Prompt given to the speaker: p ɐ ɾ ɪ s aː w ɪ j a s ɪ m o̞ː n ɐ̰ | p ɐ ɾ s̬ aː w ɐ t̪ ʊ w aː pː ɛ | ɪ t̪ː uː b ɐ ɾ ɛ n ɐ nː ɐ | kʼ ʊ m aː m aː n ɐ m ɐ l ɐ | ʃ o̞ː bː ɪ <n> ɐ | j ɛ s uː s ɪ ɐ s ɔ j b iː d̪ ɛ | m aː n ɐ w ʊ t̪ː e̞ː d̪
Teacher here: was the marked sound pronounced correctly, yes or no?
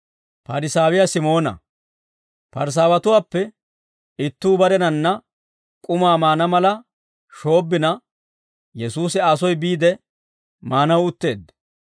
yes